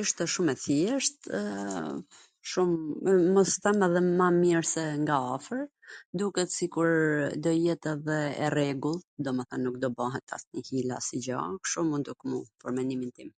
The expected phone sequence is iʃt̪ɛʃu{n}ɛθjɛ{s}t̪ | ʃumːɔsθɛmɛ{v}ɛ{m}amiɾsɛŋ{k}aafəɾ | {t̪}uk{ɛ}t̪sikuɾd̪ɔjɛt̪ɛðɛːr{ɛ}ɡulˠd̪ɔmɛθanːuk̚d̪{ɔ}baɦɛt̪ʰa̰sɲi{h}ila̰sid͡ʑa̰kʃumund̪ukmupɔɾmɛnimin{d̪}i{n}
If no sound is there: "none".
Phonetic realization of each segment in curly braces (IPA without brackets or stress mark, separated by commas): m, ʃ, ð, m, ɡ, d̪, ɛ, ɛ, ɔ, h, t̪, m